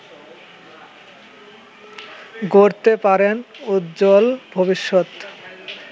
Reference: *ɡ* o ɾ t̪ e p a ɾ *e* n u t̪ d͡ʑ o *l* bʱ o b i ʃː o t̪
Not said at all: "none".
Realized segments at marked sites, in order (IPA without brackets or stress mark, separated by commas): ɡ, e, l